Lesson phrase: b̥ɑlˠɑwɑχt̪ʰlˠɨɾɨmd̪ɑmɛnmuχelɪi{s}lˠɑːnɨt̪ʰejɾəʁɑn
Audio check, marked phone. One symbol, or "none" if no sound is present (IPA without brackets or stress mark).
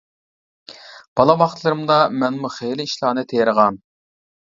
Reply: ʃ